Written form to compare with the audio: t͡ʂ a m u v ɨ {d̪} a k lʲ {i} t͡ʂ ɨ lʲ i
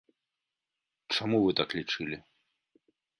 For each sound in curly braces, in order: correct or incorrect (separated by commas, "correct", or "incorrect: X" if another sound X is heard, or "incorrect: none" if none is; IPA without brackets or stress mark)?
incorrect: t̪, correct